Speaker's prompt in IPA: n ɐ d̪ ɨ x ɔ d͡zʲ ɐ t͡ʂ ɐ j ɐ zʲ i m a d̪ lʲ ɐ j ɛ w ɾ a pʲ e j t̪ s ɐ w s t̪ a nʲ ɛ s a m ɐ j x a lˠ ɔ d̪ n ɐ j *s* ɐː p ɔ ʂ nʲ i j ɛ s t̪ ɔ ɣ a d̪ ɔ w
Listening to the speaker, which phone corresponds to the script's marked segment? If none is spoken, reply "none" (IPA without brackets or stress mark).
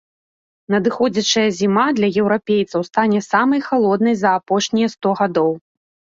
z